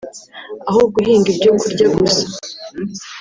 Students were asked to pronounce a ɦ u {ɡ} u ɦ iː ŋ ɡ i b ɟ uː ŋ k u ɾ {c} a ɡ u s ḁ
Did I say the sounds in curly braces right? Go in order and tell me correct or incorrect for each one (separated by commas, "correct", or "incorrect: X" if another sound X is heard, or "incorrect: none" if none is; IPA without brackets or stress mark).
correct, incorrect: ɟ